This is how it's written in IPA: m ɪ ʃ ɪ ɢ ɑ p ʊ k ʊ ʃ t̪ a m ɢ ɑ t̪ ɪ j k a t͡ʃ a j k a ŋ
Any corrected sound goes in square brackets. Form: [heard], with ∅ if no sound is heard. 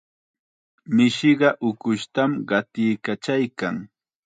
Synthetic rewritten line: m ɪ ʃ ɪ ɢ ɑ [ʔ] ʊ k ʊ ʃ t̪ a m ɢ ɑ t̪ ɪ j k a t͡ʃ a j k a ŋ